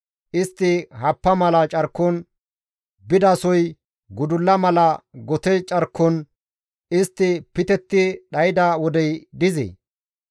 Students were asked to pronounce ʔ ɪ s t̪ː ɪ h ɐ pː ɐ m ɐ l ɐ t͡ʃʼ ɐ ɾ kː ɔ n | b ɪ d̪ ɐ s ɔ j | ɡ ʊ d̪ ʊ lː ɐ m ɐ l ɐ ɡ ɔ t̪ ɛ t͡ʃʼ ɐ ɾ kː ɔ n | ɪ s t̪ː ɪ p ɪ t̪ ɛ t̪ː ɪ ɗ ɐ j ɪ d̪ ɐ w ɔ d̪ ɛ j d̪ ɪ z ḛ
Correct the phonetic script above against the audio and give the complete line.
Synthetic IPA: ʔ ɪ s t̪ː ɪ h ɐ pː ɐ m ɐ l ɐ t͡ʃʼ ɐ ɾ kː ɔ n | b ɪ d̪ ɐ s ɔ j | ɡ ʊ d̪ ʊ lː ɐ m ɐ l ɐ ɡ ɔ t̪ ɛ t͡ʃʼ ɐ ɾ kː ɔ n | ɪ s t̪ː ɪ p ɪ t̪ ɛ t̪ː ɪ ɗ ɐ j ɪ d̪ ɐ w ɔ d̪ ɛ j d̪ ɪ z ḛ